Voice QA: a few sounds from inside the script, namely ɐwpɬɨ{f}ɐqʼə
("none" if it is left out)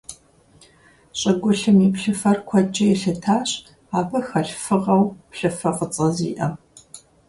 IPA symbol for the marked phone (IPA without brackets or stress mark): f